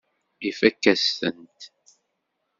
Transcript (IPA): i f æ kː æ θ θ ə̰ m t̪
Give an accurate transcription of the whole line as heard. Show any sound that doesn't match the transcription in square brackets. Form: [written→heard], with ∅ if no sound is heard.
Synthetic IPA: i f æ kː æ [θ→s] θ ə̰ [m→n] t̪